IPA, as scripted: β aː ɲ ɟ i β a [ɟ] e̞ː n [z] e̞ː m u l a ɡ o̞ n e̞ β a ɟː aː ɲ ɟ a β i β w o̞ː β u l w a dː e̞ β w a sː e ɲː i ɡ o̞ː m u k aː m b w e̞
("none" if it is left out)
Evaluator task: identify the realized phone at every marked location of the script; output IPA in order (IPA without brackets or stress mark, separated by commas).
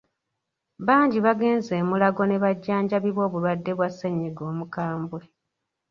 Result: ɡ, z